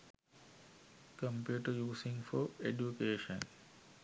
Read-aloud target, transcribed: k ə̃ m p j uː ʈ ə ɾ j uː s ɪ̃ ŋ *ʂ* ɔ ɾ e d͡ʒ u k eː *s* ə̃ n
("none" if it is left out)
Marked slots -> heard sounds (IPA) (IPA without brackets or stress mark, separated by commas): f, ʃ